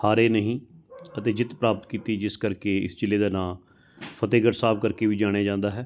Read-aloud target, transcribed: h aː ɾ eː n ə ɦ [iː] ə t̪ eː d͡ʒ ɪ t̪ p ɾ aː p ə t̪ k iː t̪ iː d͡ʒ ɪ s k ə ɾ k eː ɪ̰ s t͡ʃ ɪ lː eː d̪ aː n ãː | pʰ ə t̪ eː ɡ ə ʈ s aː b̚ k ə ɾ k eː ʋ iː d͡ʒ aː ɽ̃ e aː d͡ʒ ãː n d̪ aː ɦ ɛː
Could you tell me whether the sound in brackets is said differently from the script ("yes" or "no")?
yes